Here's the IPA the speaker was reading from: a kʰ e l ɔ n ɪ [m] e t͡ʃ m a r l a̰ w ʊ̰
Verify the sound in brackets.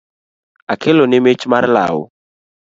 correct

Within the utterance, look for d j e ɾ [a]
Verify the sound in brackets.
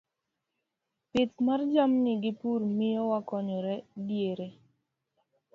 incorrect: e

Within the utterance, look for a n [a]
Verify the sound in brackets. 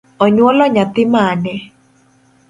incorrect: ɛ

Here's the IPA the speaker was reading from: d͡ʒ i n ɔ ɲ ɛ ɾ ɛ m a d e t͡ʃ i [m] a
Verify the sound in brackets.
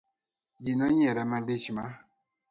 correct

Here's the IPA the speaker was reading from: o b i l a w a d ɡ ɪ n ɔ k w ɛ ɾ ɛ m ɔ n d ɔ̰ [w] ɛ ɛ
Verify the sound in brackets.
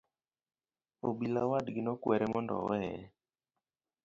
correct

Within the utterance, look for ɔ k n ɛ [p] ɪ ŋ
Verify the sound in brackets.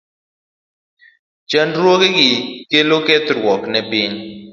correct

